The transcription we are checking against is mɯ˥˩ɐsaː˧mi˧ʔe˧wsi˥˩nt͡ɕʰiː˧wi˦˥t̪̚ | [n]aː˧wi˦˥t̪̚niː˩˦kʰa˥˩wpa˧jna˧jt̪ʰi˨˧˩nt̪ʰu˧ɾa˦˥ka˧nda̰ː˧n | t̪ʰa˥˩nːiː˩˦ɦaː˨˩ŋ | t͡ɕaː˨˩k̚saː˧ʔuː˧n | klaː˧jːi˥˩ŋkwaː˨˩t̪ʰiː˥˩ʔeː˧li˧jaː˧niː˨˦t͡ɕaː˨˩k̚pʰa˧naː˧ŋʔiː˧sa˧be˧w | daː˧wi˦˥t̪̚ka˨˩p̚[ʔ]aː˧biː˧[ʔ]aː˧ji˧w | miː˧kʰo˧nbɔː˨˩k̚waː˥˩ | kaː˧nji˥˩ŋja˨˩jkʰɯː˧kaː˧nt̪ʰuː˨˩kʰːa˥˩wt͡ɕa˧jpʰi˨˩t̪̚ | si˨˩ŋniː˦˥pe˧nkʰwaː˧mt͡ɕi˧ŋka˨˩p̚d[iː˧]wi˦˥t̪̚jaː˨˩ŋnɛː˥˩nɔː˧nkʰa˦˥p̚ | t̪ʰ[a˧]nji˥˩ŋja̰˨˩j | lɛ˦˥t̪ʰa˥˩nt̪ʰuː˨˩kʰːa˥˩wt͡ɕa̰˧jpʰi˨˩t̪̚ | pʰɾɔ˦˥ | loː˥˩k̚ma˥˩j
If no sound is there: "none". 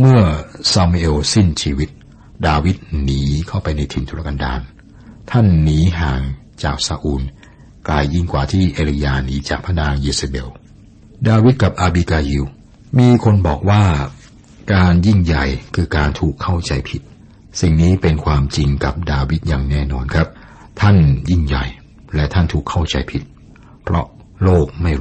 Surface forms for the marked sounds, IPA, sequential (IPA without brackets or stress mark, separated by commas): d, ʔ, k, aː˧, a˥˩